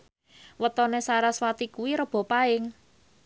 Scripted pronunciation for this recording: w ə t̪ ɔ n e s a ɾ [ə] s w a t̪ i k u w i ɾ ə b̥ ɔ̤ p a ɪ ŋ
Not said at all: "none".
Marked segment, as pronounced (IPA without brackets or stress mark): a